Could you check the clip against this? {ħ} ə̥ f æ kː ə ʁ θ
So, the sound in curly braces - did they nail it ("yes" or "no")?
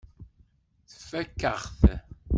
no